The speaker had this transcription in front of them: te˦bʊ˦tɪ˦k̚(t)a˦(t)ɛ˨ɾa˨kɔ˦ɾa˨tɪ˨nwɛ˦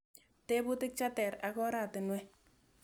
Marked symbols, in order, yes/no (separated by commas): no, yes